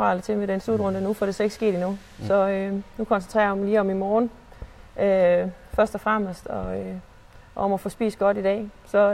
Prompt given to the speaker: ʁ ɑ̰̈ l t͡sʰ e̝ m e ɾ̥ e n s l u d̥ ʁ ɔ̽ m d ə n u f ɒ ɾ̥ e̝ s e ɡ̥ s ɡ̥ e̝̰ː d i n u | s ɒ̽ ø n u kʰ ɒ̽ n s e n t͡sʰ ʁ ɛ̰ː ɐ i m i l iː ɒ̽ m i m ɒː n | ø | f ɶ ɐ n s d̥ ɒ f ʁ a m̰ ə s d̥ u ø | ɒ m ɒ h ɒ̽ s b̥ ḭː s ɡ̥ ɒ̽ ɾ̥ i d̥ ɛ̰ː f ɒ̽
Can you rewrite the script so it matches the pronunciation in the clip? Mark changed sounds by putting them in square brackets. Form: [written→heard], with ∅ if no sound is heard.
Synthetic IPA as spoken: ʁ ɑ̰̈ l t͡sʰ e̝ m e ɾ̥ e n s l u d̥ ʁ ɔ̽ [m→n] d ə n u f ɒ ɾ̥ e̝ s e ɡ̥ s ɡ̥ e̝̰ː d i n u | s ɒ̽ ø n u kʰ ɒ̽ n s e n t͡sʰ ʁ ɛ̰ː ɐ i m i l iː ɒ̽ m i m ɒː n | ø | f ɶ ɐ [n→∅] s d̥ ɒ f ʁ a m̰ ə s d̥ [u→ɒ] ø | ɒ m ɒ [h→f] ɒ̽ s b̥ ḭː s ɡ̥ ɒ̽ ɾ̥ i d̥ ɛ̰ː [f→s] ɒ̽